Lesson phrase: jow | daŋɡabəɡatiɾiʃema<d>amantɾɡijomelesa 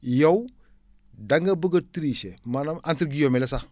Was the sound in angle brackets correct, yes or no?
no